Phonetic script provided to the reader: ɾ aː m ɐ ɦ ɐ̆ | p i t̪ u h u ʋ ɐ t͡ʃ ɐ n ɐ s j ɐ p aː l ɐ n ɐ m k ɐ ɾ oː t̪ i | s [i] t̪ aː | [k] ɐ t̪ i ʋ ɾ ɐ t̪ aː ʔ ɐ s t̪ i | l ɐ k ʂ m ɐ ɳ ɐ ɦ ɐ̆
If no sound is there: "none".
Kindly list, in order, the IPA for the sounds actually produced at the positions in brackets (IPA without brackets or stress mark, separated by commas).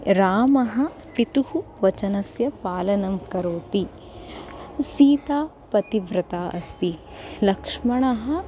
iː, p